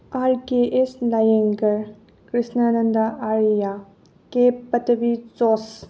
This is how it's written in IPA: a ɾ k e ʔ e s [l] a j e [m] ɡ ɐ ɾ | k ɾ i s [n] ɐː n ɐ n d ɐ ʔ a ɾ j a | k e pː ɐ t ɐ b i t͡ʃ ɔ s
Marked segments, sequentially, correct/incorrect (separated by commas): correct, incorrect, correct